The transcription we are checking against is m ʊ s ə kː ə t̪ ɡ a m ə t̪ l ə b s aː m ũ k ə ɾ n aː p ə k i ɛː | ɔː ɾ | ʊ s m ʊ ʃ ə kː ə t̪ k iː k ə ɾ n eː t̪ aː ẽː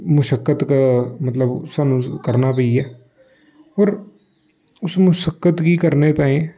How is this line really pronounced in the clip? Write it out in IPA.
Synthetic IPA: m ʊ ʃ ə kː ə t̪ k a m ə t̪ l ə b s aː n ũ k ə ɾ n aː p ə i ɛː | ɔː ɾ | ʊ s m ʊ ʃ ə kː ə t̪ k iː k ə ɾ n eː t̪ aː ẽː